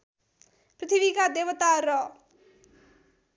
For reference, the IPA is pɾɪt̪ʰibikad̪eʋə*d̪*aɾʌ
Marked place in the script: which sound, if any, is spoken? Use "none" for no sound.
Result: t̪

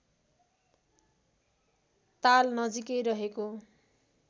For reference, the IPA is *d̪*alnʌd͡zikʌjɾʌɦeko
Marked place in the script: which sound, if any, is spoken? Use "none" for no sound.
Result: t̪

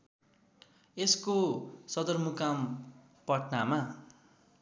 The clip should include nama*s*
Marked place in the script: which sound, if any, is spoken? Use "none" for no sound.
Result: none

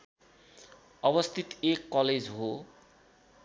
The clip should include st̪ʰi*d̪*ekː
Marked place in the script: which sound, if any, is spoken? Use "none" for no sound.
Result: t̪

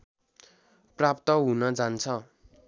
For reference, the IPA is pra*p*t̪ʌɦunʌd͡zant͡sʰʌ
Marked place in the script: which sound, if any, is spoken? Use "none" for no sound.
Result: p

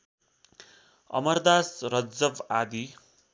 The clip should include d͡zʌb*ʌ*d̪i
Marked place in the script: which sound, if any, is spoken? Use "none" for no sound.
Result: a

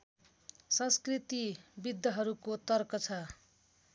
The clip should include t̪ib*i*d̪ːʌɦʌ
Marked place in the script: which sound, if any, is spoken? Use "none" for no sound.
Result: i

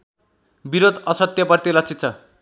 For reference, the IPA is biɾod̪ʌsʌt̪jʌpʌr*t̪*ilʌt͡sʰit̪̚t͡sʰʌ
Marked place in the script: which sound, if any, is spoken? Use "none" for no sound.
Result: t̪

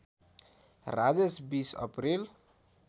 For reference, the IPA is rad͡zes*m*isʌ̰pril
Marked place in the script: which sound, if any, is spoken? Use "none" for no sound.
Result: b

